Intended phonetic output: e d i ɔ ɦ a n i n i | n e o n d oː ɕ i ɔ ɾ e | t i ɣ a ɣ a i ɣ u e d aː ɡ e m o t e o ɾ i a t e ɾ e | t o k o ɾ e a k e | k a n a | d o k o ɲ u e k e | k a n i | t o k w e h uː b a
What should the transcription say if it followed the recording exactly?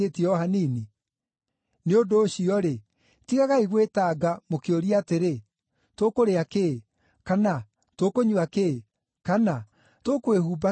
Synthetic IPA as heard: e t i ɔ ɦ a n i n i | n e o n d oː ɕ i ɔ ɾ e | t i ɣ a ɣ a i ɣ w e t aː ɡ a m o k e o ɾ i a t e ɾ e | t o k o ɾ e a k e | k a n a | t o k o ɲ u a k e | k a n a | t o k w e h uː b a